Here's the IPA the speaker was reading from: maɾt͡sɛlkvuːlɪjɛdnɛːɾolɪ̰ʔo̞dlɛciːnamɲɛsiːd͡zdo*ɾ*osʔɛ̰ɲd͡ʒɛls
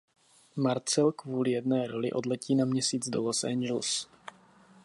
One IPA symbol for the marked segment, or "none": l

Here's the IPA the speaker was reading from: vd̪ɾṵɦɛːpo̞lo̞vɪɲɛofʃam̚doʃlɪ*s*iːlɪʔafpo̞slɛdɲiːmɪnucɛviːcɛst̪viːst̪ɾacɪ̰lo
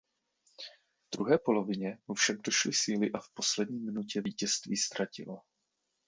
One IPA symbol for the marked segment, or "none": s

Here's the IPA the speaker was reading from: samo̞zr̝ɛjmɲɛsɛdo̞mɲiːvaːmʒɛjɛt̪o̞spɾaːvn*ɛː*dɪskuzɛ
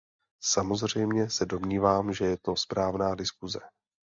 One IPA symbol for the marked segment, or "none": aː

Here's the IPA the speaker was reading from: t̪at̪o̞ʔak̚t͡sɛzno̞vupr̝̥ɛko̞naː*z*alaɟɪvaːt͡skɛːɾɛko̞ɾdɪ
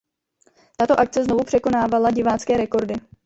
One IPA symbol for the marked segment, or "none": v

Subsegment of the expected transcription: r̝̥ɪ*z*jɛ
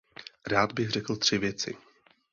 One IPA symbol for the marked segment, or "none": v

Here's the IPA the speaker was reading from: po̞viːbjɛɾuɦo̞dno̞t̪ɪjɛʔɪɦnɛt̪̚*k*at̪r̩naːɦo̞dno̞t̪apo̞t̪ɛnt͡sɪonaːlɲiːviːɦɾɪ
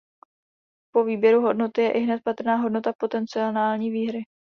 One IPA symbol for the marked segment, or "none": p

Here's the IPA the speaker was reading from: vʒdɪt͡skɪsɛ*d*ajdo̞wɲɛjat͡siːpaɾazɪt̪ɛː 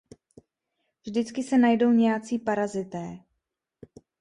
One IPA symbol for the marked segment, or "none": n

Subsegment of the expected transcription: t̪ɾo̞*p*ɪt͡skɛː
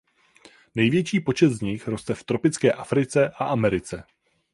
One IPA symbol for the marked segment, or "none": p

